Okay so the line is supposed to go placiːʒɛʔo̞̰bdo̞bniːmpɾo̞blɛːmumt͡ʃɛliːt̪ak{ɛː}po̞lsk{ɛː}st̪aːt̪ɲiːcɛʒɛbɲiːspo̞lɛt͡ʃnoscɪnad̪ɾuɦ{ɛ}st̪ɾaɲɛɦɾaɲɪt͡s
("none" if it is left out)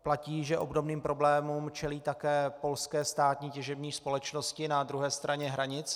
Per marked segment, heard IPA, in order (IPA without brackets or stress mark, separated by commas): ɛː, ɛː, ɛː